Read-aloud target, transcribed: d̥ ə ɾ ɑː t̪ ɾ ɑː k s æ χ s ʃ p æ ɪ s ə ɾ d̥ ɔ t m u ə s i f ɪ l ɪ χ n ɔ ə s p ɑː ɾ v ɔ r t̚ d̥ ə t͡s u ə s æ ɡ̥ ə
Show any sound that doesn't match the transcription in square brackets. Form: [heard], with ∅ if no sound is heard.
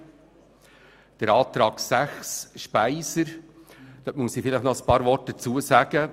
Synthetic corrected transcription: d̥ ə ɾ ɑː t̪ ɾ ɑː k s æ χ s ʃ p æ ɪ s ə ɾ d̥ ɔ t m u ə s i f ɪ l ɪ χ n ɔ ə s p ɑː ɾ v ɔ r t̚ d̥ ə t͡s u ə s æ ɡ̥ ə